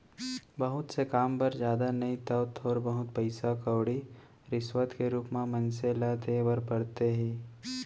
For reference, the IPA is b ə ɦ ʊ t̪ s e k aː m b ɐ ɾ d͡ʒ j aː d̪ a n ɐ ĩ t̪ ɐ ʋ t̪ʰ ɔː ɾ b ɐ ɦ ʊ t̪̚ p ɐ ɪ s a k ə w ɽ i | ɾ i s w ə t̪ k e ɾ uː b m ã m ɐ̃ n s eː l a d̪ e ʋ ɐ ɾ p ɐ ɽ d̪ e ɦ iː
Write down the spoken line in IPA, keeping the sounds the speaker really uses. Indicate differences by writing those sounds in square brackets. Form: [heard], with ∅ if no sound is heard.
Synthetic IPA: b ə ɦ ʊ t̪ s e k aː m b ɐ ɾ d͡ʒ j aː d̪ a n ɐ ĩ t̪ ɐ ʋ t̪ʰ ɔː ɾ b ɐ ɦ ʊ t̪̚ p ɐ ɪ s a k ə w ɽ i | ɾ [ɪ] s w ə t̪ k e ɾ uː [p] m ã m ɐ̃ n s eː l a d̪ e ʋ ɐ ɾ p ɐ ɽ [t̪] e ɦ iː

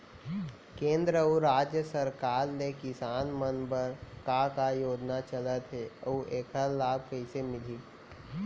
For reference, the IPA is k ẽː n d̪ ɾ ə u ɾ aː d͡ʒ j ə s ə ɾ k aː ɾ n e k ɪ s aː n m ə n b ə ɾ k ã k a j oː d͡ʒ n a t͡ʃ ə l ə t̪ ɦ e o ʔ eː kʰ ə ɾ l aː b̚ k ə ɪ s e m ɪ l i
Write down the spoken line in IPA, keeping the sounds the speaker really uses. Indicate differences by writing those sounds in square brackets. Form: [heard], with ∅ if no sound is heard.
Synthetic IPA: k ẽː n d̪ ɾ ə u ɾ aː d͡ʒ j ə s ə ɾ k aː ɾ n e k ɪ s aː n m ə n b ə ɾ k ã k a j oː d͡ʒ n a t͡ʃ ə l ə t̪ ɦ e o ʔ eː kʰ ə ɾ l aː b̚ k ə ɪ s e m ɪ l i

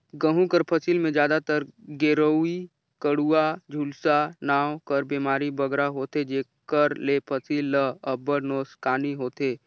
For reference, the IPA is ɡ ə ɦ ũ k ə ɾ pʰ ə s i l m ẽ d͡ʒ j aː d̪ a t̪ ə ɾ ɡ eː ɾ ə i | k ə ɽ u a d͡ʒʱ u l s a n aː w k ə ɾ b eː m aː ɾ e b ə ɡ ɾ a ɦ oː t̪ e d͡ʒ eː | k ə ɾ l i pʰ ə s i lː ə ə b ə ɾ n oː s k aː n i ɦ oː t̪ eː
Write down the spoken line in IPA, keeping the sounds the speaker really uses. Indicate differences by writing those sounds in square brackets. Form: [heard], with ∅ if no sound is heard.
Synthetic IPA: ɡ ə ɦ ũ k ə ɾ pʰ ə s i l m ẽ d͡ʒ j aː d̪ a t̪ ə ɾ ɡ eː ɾ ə i | k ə ɽ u a d͡ʒʱ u l s a n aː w k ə ɾ b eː m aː ɾ [i] b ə ɡ ɾ a ɦ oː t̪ e d͡ʒ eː | k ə ɾ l [e] pʰ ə s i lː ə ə b ə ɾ n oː s k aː n i ɦ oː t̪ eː

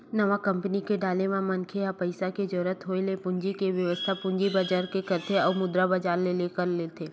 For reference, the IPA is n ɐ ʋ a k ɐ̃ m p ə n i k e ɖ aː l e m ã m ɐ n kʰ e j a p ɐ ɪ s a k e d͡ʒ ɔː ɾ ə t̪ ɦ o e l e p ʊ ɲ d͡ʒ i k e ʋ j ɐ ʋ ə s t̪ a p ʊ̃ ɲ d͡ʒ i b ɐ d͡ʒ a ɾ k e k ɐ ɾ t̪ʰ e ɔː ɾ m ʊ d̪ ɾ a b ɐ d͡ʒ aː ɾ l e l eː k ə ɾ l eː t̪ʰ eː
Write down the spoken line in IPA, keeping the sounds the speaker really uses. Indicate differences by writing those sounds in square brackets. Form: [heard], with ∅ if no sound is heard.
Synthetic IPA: n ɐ ʋ a k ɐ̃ m p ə n i k e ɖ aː l e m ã m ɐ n kʰ e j a p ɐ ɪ s a k e d͡ʒ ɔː ɾ ə t̪ ɦ o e l e p ʊ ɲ d͡ʒ i k e ʋ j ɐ ʋ ə s [t̪ʰ] a p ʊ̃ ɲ d͡ʒ i b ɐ d͡ʒ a ɾ k e k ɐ ɾ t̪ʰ e ɔː ɾ m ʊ d̪ ɾ a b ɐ d͡ʒ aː ɾ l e l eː k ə ɾ l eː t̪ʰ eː

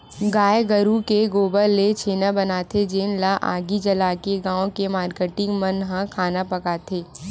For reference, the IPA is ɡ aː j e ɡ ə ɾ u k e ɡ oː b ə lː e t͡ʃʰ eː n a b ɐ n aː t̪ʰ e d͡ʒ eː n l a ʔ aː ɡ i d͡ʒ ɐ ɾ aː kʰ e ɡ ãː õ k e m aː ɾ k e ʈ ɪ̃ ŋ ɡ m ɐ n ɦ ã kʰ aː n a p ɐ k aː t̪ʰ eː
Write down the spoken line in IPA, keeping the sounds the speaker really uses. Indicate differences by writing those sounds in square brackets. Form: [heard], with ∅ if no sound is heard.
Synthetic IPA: ɡ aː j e ɡ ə ɾ u k e ɡ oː b ə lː e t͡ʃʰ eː n a b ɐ n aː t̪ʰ e d͡ʒ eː n l a ʔ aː ɡ i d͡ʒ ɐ [l] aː [k] e ɡ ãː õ k e m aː ɾ k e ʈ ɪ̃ ŋ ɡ m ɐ n ɦ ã kʰ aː n a p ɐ k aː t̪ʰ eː

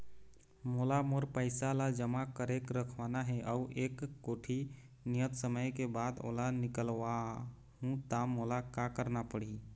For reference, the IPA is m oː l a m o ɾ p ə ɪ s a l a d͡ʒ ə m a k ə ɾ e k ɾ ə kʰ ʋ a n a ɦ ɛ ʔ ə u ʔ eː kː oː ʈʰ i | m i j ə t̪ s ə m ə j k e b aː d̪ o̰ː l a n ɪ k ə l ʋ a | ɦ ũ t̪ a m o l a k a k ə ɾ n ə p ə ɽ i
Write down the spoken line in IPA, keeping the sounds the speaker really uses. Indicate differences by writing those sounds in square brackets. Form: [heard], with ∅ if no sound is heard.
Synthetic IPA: m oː l a m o ɾ p ə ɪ s a l a d͡ʒ ə m a k ə ɾ e k ɾ ə kʰ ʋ a n a ɦ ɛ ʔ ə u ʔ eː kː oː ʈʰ i | [n] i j ə t̪ s ə m ə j k e b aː d̪ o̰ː l a n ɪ k ə l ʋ a | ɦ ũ t̪ a m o l a k a k ə ɾ n [a] p ə ɽ i

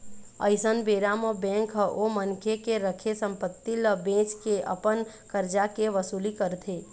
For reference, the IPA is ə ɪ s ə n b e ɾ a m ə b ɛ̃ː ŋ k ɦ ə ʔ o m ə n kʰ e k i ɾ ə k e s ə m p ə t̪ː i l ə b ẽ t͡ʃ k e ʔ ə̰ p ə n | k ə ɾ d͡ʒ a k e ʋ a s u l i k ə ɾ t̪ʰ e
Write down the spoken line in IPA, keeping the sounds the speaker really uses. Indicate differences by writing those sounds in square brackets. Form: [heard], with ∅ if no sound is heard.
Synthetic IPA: ə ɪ s ə n b e ɾ a m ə b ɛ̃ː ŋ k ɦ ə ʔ o m ə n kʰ e k [e] ɾ ə [kʰ] e s ə m p ə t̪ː i l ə b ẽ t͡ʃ k e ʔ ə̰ p ə n | k ə ɾ d͡ʒ a k e ʋ [ə] s u l i k ə ɾ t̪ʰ e

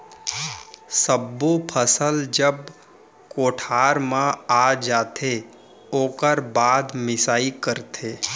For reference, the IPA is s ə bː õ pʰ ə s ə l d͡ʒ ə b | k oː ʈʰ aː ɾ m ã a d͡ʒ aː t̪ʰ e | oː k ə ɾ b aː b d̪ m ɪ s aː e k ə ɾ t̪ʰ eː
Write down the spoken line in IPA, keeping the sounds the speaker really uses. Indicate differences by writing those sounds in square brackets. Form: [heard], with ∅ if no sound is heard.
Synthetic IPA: s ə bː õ pʰ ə s ə l d͡ʒ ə b | k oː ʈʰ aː ɾ m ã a d͡ʒ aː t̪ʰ e | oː k ə ɾ b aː [∅] d̪ m ɪ s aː [i] k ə ɾ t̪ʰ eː

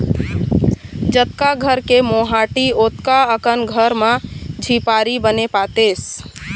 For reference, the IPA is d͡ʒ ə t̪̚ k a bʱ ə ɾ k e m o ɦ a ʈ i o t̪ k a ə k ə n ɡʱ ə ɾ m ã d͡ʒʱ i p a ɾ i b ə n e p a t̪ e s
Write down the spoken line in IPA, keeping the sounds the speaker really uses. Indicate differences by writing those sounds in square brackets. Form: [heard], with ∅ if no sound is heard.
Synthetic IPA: d͡ʒ ə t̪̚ k a [ɡʱ] ə ɾ k e m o ɦ a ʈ i o t̪ k a ə k ə n ɡʱ ə ɾ m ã d͡ʒʱ i p a ɾ i b ə n e p a t̪ e s

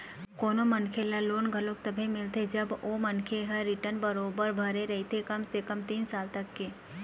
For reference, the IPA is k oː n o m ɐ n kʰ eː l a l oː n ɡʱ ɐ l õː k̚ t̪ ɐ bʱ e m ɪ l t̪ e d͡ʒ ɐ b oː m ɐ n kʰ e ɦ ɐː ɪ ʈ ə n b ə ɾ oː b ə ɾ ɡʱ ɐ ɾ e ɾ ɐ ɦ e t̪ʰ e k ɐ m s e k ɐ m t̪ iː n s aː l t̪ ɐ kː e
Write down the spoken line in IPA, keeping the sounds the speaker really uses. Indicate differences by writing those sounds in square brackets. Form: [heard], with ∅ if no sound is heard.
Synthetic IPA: k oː n o m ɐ n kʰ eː l a l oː n ɡʱ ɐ l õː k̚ t̪ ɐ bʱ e m ɪ l t̪ e d͡ʒ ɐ b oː m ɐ n kʰ e ɦ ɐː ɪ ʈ ə n b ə ɾ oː b ə ɾ [bʱ] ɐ ɾ e ɾ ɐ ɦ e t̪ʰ e k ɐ m s e k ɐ m t̪ iː n s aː l t̪ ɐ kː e

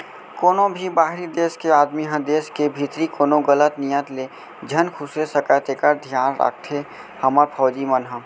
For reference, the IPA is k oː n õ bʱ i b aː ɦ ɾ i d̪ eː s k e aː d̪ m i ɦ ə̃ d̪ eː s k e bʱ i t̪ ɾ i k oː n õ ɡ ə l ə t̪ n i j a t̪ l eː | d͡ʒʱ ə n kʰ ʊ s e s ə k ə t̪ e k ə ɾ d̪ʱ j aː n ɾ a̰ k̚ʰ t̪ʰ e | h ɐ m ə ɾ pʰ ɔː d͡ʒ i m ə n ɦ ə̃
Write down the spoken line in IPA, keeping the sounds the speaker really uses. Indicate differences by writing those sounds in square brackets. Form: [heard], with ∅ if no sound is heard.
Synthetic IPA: k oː n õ bʱ i b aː ɦ ɾ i d̪ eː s k e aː d̪ m i ɦ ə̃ d̪ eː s k e bʱ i t̪ ɾ i k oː n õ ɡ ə l ə t̪ n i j [ə] t̪ l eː | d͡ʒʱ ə n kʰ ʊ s e s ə k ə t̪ e k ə ɾ d̪ʱ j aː n ɾ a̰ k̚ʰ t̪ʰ e | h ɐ m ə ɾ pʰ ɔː d͡ʒ i m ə n ɦ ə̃

